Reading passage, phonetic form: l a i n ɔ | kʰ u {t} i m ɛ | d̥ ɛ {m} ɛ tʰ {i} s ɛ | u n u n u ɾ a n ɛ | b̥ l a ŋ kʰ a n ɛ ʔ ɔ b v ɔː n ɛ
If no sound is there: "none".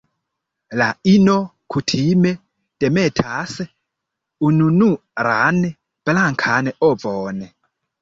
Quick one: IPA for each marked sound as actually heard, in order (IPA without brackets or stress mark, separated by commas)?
tʰ, m, a